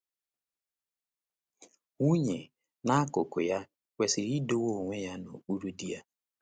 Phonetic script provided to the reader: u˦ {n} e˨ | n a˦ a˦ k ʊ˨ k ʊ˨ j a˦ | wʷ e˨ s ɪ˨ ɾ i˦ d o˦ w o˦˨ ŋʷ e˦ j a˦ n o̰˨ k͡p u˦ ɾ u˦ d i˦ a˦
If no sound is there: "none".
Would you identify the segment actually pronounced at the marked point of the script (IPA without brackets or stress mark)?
ɲ